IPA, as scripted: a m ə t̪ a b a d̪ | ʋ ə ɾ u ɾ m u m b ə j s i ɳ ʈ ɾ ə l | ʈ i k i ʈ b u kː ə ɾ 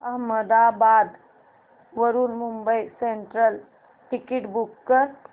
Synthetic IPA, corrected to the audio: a m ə d̪ a b a d̪ | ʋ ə ɾ u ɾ m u m b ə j s e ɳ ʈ ɾ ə l | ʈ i k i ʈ b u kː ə ɾ